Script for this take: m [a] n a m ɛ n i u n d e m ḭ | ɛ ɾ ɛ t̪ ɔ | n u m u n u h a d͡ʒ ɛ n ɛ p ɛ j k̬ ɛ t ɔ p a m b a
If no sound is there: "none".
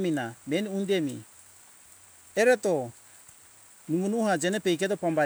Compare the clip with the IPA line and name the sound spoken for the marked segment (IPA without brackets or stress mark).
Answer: i